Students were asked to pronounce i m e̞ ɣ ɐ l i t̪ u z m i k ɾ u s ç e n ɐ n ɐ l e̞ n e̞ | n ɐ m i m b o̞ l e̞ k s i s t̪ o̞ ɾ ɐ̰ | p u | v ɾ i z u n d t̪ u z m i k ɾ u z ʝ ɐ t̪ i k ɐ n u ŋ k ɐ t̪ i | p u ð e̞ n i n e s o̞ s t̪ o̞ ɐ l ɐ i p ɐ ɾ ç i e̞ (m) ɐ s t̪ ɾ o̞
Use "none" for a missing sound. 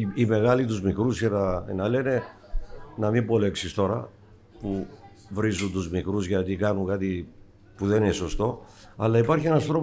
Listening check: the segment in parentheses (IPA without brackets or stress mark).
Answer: n